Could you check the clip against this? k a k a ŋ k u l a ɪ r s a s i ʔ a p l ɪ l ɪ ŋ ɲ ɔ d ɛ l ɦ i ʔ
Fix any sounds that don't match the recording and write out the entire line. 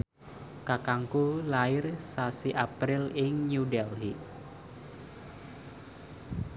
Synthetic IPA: k a k a ŋ k u l a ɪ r s a s i ʔ a p ɾ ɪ l ɪ ŋ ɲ u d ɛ l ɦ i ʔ